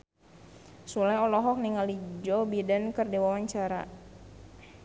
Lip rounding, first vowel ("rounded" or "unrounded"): rounded